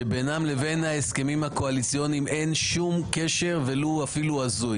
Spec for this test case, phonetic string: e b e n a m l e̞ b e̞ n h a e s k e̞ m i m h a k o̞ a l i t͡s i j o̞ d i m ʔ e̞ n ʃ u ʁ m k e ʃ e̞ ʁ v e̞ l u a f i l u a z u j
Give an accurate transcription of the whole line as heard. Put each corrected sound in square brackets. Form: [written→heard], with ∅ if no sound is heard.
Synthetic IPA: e b e n a m l e̞ [b→v] e̞ n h a e s k e̞ m i m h a k o̞ a l i t͡s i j o̞ [d→n] i m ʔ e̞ n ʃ u [ʁ→∅] m k e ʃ e̞ ʁ v e̞ l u a f i l u a z u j